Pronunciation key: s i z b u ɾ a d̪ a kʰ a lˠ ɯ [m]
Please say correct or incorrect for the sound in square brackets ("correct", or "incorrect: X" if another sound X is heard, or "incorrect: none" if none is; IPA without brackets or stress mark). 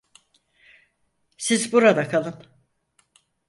incorrect: n